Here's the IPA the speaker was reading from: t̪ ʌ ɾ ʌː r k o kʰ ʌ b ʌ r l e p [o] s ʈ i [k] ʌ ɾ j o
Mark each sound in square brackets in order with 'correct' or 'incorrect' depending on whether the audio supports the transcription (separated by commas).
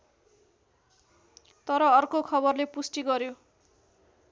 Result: incorrect, incorrect